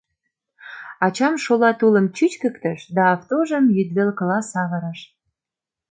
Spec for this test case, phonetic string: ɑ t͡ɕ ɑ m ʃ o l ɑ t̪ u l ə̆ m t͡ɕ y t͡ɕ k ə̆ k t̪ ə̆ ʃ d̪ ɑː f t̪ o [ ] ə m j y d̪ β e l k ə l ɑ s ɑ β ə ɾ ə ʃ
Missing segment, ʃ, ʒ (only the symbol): ʒ